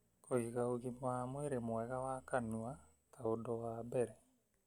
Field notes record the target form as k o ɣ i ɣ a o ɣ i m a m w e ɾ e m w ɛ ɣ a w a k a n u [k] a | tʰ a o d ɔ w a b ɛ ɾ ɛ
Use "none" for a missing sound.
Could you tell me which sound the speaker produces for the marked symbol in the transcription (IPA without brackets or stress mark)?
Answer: none